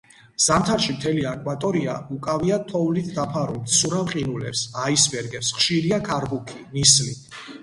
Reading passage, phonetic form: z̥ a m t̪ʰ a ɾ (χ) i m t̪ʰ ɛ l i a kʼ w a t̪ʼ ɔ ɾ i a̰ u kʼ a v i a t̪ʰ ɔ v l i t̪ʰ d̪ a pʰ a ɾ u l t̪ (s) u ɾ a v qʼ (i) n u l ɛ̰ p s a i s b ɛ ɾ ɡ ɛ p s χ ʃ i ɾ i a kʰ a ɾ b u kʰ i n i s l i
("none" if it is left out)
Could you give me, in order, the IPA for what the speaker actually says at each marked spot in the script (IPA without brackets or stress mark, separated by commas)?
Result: ʃ, s, i